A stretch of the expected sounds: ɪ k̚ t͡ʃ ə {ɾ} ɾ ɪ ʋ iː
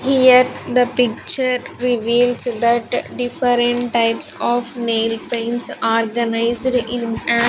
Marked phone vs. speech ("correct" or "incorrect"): correct